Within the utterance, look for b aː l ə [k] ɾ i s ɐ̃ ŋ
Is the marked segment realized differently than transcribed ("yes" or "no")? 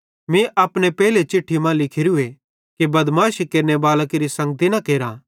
no